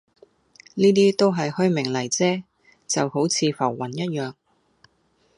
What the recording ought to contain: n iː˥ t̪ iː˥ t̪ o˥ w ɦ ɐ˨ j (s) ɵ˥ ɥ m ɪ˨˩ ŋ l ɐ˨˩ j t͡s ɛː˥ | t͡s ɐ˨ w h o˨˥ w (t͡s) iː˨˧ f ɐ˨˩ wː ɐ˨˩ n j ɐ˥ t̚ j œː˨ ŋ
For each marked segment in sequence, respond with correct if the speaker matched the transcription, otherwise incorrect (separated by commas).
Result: incorrect, incorrect